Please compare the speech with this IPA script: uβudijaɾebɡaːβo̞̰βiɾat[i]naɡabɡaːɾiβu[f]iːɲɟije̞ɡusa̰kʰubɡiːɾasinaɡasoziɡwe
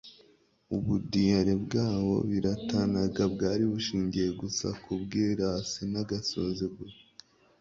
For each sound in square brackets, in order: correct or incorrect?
incorrect, incorrect

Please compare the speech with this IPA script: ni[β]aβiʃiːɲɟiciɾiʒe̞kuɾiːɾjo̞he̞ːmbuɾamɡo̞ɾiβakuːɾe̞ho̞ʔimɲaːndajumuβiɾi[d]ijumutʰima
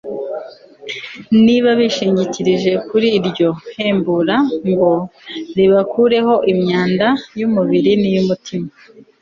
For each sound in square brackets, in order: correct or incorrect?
correct, incorrect

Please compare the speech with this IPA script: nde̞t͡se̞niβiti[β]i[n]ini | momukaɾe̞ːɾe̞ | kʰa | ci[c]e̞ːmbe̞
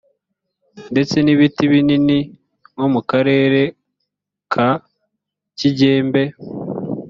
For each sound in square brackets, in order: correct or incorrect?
correct, correct, incorrect

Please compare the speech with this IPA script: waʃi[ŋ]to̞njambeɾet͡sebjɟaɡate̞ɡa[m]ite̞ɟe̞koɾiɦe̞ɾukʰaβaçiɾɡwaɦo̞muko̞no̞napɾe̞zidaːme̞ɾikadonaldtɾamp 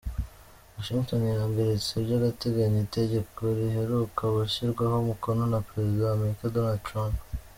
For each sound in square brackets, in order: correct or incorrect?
correct, incorrect

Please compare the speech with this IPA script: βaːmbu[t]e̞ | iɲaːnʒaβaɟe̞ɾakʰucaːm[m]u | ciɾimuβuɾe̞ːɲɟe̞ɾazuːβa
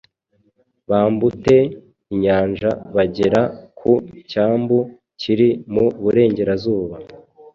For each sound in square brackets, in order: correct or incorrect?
correct, incorrect

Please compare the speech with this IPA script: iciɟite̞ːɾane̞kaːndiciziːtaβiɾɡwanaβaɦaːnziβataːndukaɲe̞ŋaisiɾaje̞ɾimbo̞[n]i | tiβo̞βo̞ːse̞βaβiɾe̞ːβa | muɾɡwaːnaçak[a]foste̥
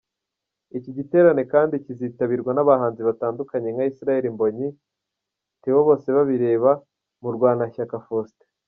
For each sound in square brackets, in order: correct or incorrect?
incorrect, correct

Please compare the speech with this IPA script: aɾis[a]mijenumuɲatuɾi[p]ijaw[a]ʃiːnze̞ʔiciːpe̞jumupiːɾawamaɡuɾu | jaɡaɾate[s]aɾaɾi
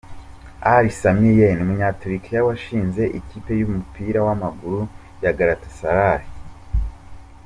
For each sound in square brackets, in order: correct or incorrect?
correct, incorrect, correct, correct

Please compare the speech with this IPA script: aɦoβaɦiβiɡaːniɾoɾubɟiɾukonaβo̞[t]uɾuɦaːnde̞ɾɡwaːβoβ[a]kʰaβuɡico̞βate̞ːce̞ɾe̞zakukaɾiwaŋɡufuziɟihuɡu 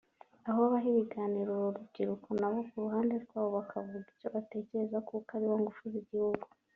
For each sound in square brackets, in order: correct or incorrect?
incorrect, correct

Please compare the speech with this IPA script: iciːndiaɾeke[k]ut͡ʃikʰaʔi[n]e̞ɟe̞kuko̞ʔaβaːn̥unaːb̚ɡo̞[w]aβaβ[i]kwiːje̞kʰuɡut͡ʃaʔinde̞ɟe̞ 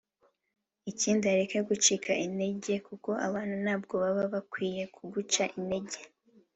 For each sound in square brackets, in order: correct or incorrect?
incorrect, correct, incorrect, incorrect

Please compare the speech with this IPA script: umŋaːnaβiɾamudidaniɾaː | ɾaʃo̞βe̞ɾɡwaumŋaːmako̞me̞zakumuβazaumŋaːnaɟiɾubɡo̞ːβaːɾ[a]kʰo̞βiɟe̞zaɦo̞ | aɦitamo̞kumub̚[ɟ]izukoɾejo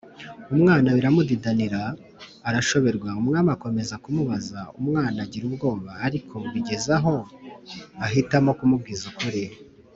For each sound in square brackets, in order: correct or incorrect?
incorrect, incorrect

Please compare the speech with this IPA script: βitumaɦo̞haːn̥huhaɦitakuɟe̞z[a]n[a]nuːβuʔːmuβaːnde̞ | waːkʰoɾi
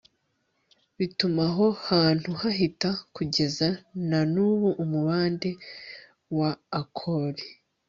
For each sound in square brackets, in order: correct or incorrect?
correct, correct

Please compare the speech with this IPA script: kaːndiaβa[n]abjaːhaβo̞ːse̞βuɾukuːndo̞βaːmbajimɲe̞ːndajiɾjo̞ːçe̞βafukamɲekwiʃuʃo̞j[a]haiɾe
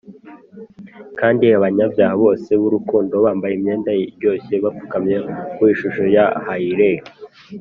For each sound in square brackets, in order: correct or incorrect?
incorrect, correct

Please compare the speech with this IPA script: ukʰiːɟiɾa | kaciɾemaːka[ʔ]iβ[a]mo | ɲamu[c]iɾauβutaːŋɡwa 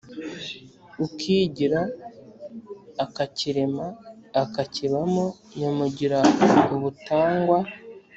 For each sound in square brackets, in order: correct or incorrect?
incorrect, correct, incorrect

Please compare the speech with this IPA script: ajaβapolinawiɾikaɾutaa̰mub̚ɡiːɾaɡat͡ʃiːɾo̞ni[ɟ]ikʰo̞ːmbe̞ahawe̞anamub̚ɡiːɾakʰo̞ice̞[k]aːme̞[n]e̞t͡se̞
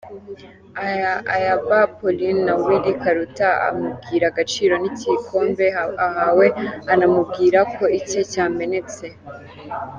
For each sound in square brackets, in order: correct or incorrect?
incorrect, incorrect, correct

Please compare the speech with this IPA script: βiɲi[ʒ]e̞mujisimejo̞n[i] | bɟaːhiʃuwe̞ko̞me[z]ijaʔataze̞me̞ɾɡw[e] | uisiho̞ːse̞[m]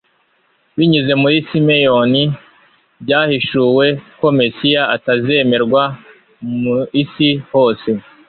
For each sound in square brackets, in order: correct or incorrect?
incorrect, correct, incorrect, incorrect, incorrect

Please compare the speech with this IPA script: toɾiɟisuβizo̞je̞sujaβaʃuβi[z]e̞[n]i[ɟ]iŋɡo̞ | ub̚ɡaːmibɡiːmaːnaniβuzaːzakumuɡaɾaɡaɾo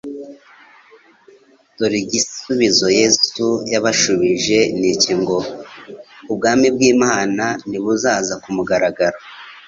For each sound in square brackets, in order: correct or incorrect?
incorrect, correct, incorrect

